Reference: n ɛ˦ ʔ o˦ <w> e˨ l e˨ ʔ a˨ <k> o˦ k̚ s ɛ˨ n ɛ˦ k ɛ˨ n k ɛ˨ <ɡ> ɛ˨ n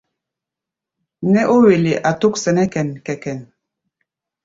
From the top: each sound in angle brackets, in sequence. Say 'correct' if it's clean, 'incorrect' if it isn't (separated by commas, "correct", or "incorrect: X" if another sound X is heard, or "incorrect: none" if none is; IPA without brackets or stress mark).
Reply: correct, incorrect: t, incorrect: k